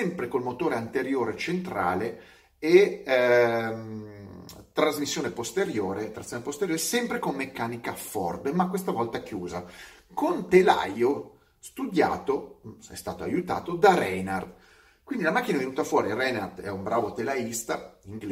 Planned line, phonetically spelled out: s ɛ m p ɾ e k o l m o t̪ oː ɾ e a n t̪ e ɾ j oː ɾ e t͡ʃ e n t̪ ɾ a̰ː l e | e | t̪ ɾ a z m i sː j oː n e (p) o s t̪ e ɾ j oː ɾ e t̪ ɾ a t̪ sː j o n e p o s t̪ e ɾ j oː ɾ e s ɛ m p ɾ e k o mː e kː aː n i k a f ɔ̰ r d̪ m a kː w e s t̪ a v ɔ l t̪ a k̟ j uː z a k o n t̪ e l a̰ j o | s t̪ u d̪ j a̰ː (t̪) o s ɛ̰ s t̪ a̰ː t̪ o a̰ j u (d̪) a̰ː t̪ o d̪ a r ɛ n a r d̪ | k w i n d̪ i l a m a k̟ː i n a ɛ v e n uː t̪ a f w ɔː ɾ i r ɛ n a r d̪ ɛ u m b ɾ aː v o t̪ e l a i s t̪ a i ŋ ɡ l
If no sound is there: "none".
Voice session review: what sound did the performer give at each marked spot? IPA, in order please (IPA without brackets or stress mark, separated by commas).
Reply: p, t̪, t̪